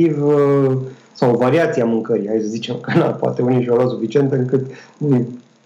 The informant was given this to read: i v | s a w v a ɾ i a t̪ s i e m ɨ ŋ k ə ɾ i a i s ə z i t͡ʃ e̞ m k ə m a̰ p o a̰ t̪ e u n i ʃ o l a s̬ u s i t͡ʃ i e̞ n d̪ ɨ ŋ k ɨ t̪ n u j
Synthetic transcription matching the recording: i v | s a w v a ɾ i a t̪ s i a m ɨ ŋ k ə ɾ i a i s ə z i t͡ʃ e̞ m k ə n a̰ p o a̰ t̪ e u n i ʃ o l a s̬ u f i t͡ʃ i e̞ n t̪ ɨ ŋ k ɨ t̪ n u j